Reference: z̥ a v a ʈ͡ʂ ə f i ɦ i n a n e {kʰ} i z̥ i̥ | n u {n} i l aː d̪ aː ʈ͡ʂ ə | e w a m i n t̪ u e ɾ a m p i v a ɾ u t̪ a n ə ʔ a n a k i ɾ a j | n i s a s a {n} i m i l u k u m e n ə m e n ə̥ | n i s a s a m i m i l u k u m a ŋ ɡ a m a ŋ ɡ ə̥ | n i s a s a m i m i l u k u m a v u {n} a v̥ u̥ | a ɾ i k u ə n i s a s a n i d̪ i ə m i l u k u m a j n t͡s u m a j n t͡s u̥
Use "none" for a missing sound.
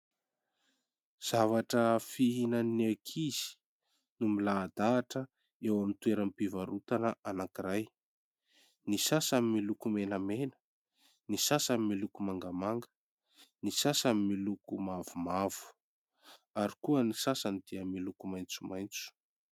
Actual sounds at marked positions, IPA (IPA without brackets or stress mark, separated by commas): kʰ, m, m, m